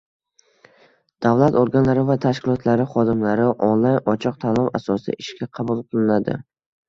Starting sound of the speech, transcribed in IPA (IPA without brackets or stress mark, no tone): d̪̥